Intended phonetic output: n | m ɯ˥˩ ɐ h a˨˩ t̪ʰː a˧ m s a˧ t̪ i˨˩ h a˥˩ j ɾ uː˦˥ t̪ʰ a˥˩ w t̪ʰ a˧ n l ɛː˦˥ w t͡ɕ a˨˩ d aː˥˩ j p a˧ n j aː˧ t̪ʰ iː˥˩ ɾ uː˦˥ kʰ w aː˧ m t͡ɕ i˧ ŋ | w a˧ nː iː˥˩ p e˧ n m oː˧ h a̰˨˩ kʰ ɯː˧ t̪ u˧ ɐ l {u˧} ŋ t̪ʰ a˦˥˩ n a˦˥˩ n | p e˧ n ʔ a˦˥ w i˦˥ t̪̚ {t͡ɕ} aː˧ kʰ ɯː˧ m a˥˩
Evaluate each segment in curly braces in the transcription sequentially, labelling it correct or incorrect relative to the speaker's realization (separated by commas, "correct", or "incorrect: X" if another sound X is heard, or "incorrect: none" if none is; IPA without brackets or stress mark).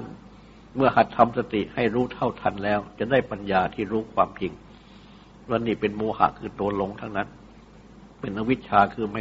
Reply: incorrect: o˧, incorrect: t͡ɕʰ